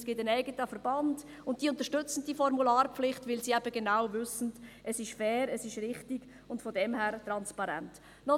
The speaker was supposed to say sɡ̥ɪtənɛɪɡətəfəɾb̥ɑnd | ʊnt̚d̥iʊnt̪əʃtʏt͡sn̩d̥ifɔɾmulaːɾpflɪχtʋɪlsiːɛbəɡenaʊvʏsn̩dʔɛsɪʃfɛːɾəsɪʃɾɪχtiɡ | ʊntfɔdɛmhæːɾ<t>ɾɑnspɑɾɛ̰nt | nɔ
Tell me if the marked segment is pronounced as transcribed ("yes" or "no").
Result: yes